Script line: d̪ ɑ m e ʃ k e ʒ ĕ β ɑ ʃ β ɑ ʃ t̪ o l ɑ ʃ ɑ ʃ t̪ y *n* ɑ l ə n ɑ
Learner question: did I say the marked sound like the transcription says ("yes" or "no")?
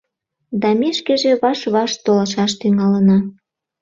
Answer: no